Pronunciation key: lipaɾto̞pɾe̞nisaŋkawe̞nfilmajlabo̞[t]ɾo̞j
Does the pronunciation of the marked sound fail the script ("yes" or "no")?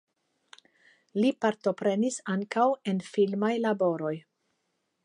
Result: yes